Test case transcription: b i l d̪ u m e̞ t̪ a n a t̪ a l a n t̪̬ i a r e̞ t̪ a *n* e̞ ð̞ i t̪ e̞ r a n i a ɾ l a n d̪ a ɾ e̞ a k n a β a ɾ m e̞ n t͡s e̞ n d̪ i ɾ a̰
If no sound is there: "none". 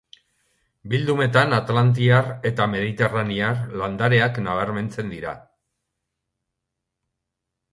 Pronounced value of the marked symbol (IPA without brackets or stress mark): m